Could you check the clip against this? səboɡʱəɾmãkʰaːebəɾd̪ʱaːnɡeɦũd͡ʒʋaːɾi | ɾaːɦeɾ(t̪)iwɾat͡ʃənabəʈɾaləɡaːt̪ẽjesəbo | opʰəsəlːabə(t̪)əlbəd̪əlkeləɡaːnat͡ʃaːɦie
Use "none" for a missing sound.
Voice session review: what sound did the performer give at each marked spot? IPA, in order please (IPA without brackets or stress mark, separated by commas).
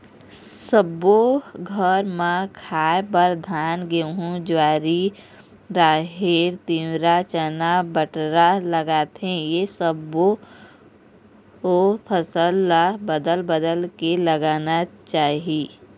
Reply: t̪, d̪